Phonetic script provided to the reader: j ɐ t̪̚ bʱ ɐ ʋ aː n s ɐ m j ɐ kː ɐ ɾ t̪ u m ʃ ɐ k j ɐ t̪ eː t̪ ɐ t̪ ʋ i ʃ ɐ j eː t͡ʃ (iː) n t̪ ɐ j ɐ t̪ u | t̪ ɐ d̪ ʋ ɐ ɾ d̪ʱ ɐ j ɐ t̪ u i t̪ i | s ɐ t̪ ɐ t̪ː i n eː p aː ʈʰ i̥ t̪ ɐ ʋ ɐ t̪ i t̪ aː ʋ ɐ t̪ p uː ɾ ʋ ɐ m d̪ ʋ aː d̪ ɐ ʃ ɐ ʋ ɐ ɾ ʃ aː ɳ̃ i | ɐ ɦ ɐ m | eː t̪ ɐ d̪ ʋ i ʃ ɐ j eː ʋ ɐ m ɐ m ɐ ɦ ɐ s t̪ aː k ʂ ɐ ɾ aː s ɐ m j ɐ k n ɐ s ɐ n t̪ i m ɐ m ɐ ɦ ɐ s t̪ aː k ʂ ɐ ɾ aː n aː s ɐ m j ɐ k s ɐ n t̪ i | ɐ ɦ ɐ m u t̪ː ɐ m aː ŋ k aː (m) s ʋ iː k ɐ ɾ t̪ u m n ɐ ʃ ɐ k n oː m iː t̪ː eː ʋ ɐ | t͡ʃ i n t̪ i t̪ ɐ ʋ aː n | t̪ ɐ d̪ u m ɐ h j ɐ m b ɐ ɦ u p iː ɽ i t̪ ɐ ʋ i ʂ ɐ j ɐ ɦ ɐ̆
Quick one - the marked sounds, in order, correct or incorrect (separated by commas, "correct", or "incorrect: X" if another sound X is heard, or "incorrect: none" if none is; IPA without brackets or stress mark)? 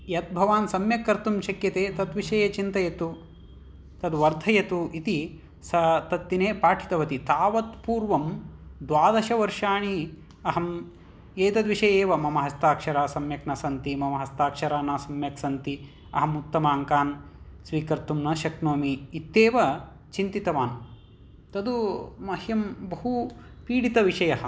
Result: incorrect: i, incorrect: n